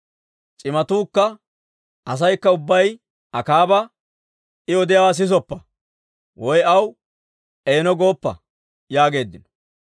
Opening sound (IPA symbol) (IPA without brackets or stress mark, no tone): t͡ʃʼ